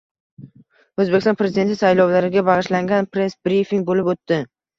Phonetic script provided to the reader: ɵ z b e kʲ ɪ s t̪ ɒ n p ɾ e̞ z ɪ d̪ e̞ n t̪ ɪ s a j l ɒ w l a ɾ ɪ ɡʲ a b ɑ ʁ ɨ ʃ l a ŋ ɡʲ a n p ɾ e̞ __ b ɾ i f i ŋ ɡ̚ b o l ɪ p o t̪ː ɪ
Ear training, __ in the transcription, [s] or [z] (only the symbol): s